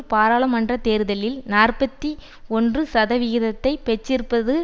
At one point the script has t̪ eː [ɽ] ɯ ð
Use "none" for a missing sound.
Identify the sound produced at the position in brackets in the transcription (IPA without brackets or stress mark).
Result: ɾ